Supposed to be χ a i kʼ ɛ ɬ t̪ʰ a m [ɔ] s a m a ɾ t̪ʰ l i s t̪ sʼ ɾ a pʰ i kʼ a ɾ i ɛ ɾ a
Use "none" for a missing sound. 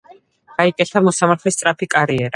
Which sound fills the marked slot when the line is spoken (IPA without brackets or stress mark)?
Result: ɔ